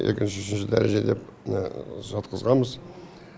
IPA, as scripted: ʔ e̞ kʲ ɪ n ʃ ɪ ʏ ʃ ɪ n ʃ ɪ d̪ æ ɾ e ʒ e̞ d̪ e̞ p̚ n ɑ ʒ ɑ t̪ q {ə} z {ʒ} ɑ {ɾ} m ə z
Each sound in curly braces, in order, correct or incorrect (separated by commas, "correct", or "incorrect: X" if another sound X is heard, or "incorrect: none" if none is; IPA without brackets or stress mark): correct, incorrect: ʁ, incorrect: none